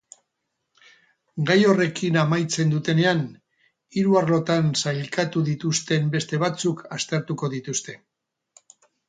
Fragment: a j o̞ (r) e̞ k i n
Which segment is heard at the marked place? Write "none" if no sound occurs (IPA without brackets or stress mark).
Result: r